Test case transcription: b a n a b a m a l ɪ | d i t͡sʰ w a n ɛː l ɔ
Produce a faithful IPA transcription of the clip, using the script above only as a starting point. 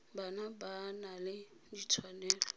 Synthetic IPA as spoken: b a n a b a n a l ɪ | d i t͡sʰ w a n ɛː l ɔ